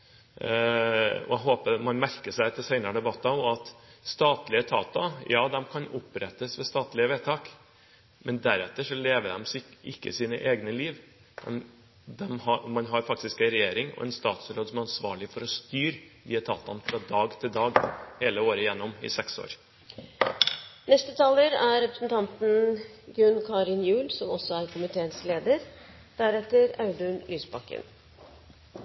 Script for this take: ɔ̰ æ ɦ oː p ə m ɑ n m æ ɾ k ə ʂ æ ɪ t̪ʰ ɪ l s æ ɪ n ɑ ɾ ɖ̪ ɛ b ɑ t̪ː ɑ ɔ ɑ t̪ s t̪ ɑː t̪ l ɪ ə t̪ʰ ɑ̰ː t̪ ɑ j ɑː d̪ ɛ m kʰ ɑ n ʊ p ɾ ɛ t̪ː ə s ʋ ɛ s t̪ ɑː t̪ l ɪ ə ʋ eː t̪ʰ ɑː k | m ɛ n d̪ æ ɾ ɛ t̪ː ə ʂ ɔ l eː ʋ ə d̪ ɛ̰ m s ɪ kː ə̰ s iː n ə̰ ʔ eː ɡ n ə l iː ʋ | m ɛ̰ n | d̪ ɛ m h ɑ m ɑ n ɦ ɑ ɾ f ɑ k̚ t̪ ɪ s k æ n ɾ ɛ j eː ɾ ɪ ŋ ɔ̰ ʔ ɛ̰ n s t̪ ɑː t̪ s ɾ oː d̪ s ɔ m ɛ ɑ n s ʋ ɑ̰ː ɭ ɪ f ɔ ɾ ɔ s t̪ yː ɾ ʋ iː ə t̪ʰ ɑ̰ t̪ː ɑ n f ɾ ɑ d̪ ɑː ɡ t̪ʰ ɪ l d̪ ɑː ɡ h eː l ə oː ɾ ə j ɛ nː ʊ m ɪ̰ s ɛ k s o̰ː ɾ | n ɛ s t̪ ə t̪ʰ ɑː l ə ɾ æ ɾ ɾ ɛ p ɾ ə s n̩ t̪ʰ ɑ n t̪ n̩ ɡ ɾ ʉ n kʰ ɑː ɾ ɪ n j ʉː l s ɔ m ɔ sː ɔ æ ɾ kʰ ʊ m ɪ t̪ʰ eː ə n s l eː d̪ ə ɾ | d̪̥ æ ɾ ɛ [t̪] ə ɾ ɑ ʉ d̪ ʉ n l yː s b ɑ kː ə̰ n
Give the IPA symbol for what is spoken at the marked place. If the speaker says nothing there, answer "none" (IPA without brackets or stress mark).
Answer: t̪